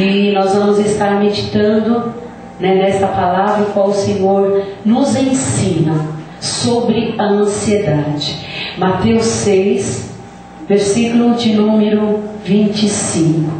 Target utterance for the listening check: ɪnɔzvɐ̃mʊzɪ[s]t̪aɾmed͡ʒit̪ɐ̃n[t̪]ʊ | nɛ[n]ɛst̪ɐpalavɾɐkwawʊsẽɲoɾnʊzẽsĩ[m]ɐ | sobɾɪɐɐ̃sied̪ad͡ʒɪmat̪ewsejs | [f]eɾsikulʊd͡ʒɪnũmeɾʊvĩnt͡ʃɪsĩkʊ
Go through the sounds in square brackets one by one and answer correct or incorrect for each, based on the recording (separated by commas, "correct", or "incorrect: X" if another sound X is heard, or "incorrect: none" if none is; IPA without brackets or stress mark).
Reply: correct, incorrect: d̪, correct, incorrect: n, incorrect: v